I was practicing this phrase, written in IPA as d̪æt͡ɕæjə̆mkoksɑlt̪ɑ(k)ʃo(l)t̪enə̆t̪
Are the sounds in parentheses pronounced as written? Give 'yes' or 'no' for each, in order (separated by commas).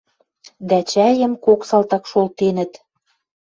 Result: yes, yes